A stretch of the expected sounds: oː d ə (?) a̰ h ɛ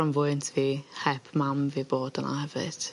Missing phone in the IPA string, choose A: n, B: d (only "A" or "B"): A